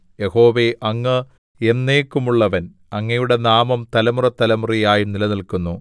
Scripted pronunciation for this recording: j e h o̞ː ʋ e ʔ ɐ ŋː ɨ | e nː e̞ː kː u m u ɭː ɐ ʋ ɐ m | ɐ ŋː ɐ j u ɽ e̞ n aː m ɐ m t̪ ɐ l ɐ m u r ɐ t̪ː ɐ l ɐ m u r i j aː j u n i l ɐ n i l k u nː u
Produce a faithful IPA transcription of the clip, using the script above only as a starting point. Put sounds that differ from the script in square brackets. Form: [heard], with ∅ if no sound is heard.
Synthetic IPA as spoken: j e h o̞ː ʋ e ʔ ɐ ŋː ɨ | e nː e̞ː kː u m u ɭː ɐ ʋ ɐ [n] | ɐ ŋː ɐ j u ɽ e̞ n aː m ɐ m t̪ ɐ l ɐ m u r ɐ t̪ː ɐ l ɐ m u r i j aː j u n i l ɐ n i l k u nː u

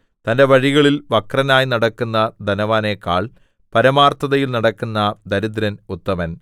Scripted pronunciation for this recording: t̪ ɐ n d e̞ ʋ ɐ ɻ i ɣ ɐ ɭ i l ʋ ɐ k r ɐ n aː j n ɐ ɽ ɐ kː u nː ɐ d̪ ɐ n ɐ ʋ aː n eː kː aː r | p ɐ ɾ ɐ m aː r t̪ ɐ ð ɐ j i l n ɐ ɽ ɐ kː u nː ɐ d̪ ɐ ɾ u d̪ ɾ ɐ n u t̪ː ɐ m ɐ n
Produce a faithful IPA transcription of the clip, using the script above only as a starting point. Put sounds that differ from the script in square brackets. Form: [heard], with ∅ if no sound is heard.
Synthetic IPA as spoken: t̪ ɐ n d e̞ ʋ ɐ ɻ i ɣ ɐ ɭ i l ʋ ɐ k r ɐ n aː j n ɐ ɽ ɐ kː u nː ɐ d̪ ɐ n ɐ ʋ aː n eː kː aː [ɭ] | p ɐ ɾ ɐ m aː r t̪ ɐ ð ɐ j i l n ɐ ɽ ɐ kː u nː ɐ d̪ ɐ ɾ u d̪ ɾ ɐ n u t̪ː ɐ m ɐ n

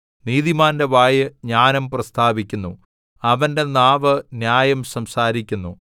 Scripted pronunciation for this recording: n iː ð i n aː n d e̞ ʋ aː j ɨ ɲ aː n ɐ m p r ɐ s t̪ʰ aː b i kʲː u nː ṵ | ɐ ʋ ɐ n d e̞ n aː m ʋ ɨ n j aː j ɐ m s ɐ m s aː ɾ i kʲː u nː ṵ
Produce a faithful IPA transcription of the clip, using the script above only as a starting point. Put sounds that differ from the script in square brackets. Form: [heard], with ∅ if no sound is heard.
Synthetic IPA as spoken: n iː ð i [m] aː n d e̞ ʋ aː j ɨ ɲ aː n ɐ m p r ɐ s t̪ʰ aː b i kʲː u nː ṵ | ɐ ʋ ɐ n d e̞ n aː [∅] ʋ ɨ n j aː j ɐ m s ɐ m s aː ɾ i kʲː u nː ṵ

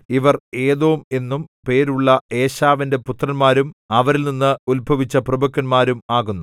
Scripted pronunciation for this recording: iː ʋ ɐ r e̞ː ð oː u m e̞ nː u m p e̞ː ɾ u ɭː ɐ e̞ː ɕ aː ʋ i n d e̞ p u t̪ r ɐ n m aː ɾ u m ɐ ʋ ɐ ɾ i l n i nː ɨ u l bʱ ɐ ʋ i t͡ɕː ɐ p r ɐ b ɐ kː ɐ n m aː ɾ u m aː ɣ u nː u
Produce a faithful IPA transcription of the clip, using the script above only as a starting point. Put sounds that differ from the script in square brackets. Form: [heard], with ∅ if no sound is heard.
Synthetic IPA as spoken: [i] ʋ ɐ r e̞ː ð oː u m e̞ nː u m p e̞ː ɾ u ɭː ɐ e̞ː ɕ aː ʋ i n d e̞ p u t̪ r ɐ n m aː ɾ u m ɐ ʋ ɐ ɾ i l n i nː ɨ u l bʱ ɐ ʋ i t͡ɕː ɐ p r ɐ b ɐ kː ɐ n m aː ɾ u m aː ɣ u nː u

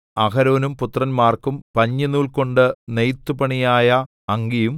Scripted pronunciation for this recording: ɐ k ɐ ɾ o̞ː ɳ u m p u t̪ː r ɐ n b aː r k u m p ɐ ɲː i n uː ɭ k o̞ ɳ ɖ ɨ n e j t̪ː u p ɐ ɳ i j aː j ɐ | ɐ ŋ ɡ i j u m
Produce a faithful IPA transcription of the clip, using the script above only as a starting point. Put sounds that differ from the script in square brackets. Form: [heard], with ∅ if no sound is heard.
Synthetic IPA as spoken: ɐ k ɐ ɾ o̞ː [n] u m p u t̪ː r ɐ n [m] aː r k u m p ɐ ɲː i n uː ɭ k o̞ ɳ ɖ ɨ n e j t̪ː u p ɐ ɳ i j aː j ɐ | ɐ ŋ ɡ i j u m

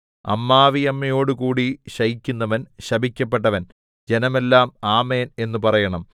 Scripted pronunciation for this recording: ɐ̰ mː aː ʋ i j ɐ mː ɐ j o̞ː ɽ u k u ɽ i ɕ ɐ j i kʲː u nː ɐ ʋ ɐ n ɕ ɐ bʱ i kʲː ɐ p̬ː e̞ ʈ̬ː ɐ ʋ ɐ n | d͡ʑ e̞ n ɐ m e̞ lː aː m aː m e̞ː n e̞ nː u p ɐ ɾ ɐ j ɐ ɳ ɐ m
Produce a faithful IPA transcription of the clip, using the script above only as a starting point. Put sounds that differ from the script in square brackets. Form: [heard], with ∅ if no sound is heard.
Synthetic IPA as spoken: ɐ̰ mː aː ʋ i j ɐ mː ɐ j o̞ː ɽ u k [uː] ɽ i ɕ ɐ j i kʲː u nː ɐ ʋ ɐ n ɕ ɐ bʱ i kʲː ɐ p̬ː e̞ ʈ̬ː ɐ ʋ ɐ n | d͡ʑ e̞ n ɐ m e̞ lː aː m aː m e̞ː n e̞ nː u p ɐ [r] ɐ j ɐ ɳ ɐ m

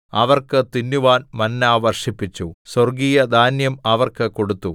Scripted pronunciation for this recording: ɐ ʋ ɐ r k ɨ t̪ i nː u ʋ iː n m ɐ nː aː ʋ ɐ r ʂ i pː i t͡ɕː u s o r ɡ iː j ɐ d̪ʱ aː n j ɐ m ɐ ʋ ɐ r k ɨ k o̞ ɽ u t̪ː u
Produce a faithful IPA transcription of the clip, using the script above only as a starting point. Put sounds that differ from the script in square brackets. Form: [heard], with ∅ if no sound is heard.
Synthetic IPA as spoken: ɐ ʋ ɐ r k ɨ t̪ i nː u ʋ [aː] n m ɐ nː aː ʋ ɐ r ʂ i pː i t͡ɕː u s o r ɡ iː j ɐ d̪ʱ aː n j ɐ m ɐ ʋ ɐ r k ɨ k o̞ ɽ u t̪ː u

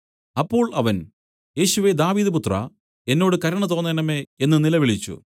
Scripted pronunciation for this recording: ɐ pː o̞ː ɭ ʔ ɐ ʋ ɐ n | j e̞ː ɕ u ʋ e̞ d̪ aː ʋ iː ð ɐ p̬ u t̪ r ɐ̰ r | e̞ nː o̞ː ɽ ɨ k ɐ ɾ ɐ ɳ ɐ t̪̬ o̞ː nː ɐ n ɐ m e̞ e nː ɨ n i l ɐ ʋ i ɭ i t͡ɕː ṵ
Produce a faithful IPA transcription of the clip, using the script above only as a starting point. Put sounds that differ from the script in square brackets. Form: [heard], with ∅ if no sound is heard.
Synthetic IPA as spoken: ɐ pː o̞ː ɭ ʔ ɐ ʋ ɐ n | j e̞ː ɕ u ʋ e̞ d̪ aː ʋ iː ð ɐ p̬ u t̪ r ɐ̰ [∅] | e̞ nː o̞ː ɽ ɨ k ɐ ɾ ɐ ɳ ɐ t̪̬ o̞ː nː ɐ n ɐ m e̞ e nː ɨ n i l ɐ ʋ i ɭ i t͡ɕː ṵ

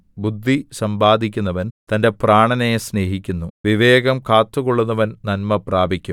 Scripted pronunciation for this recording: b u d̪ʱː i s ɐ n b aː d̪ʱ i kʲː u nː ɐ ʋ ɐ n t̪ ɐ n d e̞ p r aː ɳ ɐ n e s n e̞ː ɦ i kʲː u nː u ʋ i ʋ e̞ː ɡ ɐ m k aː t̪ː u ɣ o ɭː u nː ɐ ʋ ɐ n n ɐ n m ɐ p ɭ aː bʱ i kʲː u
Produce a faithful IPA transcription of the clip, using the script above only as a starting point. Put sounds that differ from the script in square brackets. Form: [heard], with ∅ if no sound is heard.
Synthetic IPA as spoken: b u d̪ʱː i s ɐ [m] b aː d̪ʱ i kʲː u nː ɐ ʋ ɐ n t̪ ɐ n d e̞ p r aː ɳ ɐ n e s n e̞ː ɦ i kʲː u nː u ʋ i ʋ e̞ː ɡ ɐ m k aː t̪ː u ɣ o ɭː u nː ɐ ʋ ɐ n n ɐ n m ɐ p [r] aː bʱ i kʲː u

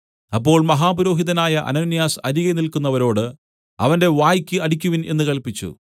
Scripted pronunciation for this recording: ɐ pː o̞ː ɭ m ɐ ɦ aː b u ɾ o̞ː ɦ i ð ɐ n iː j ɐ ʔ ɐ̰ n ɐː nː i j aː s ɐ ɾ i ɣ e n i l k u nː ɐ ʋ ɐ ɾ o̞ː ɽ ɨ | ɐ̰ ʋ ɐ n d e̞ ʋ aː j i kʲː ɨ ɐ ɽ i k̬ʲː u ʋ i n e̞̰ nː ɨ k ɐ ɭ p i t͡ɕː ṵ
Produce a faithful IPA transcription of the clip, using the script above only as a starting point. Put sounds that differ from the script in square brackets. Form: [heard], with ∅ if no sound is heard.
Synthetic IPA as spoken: ɐ pː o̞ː ɭ m ɐ ɦ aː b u ɾ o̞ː ɦ i ð ɐ n [aː] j ɐ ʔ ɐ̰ n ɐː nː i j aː s ɐ ɾ i ɣ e n i l k u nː ɐ ʋ ɐ ɾ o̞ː ɽ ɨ | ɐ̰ ʋ ɐ n d e̞ ʋ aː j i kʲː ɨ ɐ ɽ i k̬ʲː u ʋ i n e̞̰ nː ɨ k ɐ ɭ p i t͡ɕː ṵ

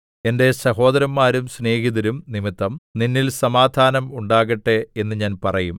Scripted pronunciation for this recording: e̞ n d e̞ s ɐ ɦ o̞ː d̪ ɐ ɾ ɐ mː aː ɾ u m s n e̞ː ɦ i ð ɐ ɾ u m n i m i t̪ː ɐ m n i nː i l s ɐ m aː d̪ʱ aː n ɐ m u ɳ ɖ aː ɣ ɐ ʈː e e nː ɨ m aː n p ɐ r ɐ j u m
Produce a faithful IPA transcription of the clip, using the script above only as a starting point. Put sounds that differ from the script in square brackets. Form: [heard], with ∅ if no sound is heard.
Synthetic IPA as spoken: e̞ n d e̞ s ɐ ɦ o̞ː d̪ ɐ ɾ ɐ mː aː ɾ u m s n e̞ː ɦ i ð ɐ ɾ u m n i m i t̪ː ɐ m n i nː i l s ɐ m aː d̪ʱ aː n ɐ m u ɳ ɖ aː ɣ ɐ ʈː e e nː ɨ [ɲ] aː n p ɐ r ɐ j u m

